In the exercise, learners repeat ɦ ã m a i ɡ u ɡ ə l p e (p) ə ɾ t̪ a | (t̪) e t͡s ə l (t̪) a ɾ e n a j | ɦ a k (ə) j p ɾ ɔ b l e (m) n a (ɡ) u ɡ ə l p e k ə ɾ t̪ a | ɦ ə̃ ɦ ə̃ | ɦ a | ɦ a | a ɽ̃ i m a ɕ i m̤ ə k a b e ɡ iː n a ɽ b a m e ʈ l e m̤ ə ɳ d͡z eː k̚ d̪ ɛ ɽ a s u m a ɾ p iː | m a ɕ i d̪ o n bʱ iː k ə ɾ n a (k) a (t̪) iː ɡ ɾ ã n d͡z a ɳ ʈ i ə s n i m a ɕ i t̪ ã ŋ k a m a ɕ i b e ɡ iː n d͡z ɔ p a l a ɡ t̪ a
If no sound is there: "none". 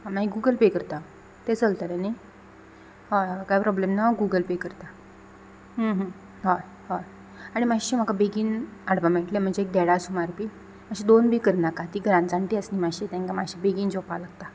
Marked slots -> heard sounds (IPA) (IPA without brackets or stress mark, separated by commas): k, t̪, t̪, a, m, ɡ, k, t̪